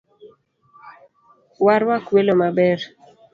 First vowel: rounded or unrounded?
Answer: unrounded